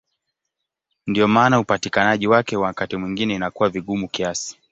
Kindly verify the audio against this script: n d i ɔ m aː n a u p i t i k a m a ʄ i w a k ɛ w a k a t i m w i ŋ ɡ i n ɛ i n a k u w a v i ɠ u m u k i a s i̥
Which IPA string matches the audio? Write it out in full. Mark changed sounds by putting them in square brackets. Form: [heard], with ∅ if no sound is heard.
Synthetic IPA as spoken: n d i ɔ m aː n a u p [a] t i k a [n] a ʄ i w a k ɛ w a k a t i m w i ŋ ɡ i n ɛ i n a k u w a v i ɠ u m u k i a s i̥